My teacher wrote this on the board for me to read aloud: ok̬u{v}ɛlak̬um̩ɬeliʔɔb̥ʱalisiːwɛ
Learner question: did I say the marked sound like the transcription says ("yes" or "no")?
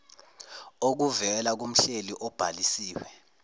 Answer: yes